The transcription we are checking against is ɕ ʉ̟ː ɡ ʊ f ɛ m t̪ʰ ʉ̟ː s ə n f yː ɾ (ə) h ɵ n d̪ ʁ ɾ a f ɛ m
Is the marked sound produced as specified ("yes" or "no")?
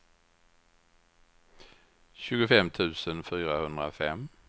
no